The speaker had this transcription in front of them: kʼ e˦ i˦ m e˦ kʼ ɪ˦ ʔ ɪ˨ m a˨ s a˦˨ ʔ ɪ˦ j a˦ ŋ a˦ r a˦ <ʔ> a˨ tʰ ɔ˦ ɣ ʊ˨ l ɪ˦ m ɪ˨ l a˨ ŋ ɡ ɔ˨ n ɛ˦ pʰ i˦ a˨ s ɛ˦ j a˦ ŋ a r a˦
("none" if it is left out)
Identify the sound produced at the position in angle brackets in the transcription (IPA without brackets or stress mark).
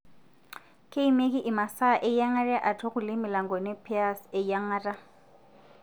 ʔ